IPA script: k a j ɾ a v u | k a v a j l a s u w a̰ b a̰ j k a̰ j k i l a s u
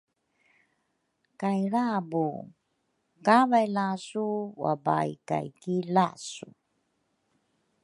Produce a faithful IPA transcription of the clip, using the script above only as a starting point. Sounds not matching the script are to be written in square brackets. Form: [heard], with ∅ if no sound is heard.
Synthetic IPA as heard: k a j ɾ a [b] u | k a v a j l a s u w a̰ b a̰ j k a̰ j k i l a s u